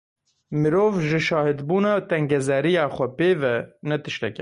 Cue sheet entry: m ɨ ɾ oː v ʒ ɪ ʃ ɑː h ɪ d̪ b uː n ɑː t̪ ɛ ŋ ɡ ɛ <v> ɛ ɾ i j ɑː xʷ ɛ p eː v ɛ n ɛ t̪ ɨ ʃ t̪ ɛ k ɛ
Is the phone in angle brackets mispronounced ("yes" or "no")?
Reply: yes